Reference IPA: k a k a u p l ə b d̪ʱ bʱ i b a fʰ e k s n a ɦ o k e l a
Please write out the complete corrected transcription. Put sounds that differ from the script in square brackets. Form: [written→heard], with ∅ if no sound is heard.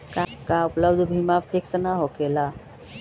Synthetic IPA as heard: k a k a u p l ə b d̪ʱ bʱ i [b→m] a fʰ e k s n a ɦ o k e l a

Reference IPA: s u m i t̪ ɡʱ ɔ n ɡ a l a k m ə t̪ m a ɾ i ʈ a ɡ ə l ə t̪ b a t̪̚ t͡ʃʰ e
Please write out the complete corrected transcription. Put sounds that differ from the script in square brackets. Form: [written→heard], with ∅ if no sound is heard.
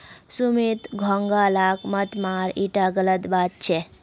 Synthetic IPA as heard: s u m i t̪ ɡʱ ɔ [n→ŋ] ɡ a l a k m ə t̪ m a ɾ i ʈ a ɡ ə l ə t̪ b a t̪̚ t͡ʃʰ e

